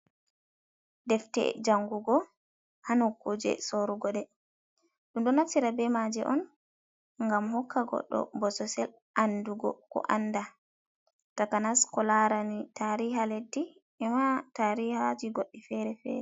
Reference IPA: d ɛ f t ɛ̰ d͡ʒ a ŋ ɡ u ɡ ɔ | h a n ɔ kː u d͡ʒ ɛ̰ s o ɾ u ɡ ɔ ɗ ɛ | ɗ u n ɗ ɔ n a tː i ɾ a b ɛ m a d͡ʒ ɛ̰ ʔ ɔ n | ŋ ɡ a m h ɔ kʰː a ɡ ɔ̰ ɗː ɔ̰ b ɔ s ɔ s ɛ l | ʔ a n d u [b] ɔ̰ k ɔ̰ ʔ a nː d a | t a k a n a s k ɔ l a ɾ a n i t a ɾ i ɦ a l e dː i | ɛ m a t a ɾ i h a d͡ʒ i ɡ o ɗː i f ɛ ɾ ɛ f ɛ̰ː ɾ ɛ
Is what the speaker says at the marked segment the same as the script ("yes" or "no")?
no